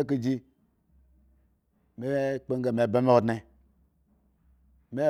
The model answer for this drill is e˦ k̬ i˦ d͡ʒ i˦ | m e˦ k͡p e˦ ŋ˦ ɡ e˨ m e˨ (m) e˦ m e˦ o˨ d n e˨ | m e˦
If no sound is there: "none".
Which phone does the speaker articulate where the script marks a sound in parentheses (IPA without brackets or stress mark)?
b